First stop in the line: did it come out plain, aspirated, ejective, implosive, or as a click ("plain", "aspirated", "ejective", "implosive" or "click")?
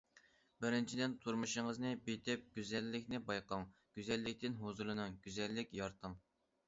plain